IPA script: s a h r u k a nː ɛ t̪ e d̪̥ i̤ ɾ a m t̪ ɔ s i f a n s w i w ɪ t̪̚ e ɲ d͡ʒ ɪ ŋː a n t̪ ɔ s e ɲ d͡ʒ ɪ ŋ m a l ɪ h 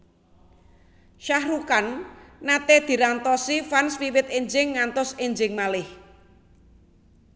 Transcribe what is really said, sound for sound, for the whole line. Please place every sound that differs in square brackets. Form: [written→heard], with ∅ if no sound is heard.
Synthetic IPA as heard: [s→ʃ] a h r u k a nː [ɛ→a] t̪ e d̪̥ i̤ ɾ a [m→n] t̪ ɔ s i f a n s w i w ɪ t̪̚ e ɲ d͡ʒ ɪ ŋː a n t̪ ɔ s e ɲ d͡ʒ ɪ ŋ m a l ɪ h